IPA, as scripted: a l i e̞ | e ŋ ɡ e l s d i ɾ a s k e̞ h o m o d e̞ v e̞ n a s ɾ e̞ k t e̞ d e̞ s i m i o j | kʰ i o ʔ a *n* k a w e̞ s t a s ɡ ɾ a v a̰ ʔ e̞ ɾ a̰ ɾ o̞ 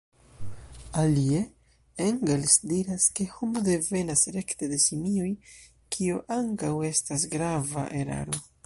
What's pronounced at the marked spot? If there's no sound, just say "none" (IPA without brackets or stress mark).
ŋ